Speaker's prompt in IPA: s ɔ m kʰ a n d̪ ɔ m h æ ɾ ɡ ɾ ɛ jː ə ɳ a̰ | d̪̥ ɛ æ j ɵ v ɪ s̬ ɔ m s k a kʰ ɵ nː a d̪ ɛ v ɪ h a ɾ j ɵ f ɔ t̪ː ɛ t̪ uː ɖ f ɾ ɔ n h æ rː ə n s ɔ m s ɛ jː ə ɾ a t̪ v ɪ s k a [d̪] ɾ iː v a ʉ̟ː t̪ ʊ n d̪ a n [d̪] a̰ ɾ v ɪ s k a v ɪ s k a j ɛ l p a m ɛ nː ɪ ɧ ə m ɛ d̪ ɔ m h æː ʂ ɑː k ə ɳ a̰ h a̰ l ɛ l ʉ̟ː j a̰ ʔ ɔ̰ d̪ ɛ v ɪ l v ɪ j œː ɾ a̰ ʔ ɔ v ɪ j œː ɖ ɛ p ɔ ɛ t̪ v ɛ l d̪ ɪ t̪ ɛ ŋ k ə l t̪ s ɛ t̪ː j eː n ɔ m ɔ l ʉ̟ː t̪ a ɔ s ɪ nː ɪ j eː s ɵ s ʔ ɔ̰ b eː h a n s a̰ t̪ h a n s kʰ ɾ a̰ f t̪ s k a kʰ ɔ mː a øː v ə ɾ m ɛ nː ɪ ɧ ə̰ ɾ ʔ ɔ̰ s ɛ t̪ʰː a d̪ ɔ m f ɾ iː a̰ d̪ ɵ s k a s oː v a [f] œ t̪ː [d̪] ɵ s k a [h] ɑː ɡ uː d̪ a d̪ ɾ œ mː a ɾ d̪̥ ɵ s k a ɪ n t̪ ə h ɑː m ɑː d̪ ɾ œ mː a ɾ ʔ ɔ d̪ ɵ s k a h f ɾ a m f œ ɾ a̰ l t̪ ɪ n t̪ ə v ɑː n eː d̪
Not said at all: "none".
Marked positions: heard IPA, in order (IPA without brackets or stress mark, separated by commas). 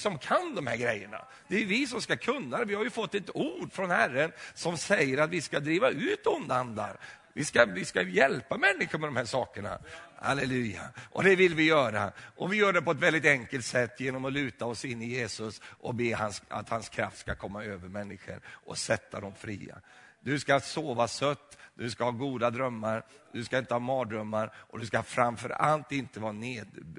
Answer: d̪, d̪, s, d̪, h